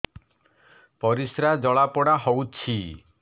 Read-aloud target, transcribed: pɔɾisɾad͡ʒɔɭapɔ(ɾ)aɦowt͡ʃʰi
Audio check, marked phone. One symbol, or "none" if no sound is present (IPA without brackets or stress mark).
ɽ